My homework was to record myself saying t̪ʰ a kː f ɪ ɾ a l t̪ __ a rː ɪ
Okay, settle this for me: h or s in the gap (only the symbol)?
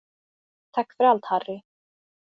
h